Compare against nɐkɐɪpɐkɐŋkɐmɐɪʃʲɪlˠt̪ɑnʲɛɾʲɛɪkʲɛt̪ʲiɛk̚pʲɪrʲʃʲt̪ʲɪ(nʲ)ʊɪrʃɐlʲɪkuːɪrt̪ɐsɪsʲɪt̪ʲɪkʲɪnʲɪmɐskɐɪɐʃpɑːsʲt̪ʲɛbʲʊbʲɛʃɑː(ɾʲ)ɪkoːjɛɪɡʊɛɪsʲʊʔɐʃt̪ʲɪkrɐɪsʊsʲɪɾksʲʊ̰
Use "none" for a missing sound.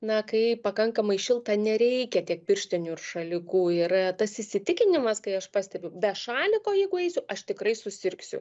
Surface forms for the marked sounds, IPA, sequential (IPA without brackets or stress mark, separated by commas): nʲ, lʲ